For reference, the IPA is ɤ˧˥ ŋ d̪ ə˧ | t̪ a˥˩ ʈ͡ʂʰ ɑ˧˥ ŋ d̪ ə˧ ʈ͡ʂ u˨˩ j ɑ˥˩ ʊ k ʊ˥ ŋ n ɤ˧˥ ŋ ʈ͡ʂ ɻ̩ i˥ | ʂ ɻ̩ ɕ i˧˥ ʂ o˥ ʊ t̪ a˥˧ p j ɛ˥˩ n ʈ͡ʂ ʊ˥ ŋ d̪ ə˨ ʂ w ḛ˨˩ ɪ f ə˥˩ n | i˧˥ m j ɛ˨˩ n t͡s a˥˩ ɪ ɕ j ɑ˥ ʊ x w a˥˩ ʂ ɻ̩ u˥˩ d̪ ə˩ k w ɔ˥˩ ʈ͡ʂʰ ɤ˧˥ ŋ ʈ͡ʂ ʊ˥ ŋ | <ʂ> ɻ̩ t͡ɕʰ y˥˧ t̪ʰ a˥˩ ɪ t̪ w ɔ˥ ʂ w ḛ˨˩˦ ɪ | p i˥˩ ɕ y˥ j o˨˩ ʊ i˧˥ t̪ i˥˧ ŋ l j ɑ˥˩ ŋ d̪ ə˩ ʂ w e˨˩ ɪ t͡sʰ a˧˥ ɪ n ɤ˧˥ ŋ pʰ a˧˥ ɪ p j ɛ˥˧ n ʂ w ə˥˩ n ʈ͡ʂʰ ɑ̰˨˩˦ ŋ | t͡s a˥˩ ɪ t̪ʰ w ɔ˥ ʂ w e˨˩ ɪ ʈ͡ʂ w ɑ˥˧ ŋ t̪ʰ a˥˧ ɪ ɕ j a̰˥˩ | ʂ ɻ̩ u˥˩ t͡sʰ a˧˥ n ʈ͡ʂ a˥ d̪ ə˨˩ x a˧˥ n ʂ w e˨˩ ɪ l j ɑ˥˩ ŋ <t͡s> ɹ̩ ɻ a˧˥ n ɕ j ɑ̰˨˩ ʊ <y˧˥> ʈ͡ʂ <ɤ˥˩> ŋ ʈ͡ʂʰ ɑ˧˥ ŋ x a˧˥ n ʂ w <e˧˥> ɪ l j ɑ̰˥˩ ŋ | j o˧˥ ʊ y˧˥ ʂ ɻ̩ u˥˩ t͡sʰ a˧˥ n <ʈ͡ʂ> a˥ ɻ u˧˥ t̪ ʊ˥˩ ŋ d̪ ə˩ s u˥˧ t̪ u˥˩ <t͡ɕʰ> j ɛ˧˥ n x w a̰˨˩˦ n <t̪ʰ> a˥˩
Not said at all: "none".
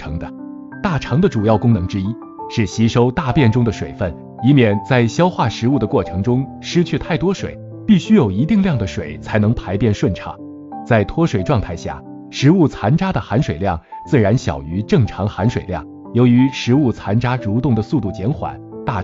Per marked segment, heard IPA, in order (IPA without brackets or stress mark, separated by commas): ʂ, t͡s, y˧˥, ɤ˥˩, e˨˩, ʈ͡ʂ, t͡ɕ, t̪